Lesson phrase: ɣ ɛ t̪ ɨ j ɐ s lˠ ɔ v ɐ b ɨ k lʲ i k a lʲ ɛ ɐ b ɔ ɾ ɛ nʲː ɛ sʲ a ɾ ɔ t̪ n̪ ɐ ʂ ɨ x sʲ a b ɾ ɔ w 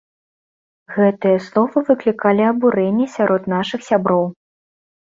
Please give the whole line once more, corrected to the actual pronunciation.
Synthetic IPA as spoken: ɣ ɛ t̪ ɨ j ɐ s lˠ ɔ v ɐ v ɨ k lʲ i k a lʲ i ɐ b u ɾ ɛ nʲː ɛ sʲ a ɾ ɔ t̪ n̪ a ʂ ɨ x sʲ a b ɾ ɔ w